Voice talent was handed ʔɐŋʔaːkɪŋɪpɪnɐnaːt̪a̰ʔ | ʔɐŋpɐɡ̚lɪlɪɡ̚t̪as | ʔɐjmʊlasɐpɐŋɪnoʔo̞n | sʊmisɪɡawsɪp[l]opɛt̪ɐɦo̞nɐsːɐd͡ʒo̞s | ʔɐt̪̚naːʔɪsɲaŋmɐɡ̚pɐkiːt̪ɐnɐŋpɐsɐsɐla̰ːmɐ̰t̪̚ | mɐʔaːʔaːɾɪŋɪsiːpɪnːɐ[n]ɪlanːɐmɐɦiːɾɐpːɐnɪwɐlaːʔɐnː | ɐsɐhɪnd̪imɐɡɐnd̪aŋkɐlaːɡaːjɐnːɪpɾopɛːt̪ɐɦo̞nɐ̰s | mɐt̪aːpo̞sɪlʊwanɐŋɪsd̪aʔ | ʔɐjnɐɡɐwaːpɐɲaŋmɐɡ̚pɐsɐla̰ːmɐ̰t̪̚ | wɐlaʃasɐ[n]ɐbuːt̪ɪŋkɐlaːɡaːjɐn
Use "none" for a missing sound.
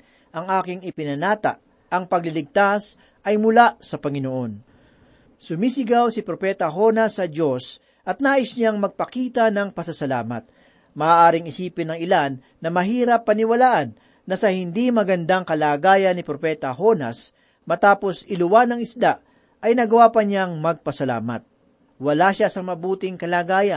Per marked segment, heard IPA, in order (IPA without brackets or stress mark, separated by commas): ɾ, ŋ, m